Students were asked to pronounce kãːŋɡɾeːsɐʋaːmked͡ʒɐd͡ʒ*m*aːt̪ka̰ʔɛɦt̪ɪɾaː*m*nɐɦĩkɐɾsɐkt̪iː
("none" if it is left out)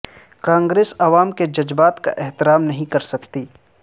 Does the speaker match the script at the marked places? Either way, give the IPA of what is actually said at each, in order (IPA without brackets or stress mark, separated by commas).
b, m